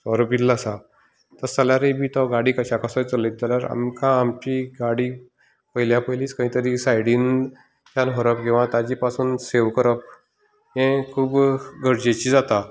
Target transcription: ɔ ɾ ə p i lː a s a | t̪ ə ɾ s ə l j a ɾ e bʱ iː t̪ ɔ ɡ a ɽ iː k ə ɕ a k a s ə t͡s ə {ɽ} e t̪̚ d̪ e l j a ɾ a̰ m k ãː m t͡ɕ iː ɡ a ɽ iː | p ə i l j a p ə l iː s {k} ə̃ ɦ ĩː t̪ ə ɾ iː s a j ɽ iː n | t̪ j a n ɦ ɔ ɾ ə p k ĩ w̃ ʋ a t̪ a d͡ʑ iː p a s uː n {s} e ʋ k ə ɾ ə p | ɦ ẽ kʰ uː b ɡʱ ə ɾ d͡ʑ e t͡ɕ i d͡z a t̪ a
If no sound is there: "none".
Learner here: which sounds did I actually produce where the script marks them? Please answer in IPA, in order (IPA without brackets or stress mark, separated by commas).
l, k, s